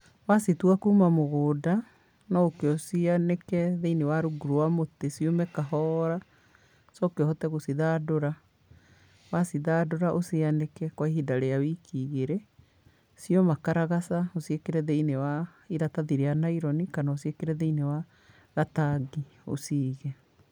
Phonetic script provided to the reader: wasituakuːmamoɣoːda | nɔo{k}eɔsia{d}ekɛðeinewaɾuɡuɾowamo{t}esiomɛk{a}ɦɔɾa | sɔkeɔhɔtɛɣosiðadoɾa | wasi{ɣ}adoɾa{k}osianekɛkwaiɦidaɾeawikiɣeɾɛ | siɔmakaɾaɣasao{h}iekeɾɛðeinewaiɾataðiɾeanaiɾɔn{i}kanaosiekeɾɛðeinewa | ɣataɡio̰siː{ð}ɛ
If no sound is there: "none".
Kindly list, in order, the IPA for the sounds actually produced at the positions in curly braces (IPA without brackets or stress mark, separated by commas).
k, n, t, a, ð, ʔ, s, i, ɣ